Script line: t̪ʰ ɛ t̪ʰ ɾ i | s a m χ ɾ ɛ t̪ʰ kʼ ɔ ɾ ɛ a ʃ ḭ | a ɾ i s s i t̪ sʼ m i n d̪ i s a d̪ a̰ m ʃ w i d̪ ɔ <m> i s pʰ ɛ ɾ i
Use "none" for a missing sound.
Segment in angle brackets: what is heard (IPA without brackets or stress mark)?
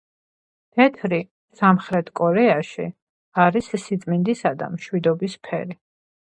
b